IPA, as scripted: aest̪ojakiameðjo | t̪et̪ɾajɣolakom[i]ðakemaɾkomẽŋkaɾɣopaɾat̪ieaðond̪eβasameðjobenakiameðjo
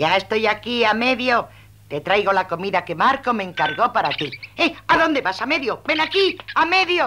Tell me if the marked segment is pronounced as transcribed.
yes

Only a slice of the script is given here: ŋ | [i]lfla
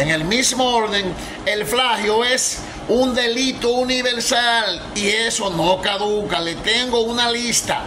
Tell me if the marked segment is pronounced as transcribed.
no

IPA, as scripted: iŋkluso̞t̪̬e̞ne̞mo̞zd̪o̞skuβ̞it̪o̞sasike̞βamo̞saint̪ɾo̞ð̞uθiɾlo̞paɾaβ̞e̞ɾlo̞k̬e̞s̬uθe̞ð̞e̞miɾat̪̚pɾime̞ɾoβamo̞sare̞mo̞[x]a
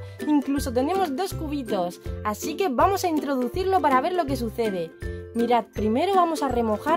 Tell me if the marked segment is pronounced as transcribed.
yes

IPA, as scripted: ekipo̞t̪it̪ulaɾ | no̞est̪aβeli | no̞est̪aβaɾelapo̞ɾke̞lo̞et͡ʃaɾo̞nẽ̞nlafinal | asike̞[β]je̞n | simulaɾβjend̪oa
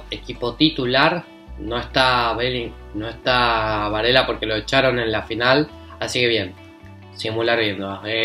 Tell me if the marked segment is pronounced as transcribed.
yes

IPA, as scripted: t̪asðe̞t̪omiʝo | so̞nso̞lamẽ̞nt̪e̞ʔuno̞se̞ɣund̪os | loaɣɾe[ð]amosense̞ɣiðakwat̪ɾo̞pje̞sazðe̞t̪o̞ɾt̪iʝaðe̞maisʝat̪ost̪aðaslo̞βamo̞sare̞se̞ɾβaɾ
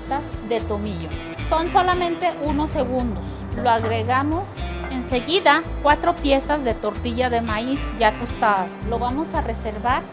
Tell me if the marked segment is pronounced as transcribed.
no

